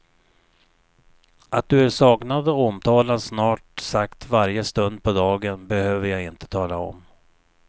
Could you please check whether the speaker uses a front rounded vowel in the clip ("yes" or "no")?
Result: yes